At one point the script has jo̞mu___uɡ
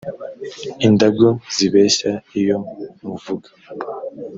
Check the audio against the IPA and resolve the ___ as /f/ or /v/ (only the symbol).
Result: v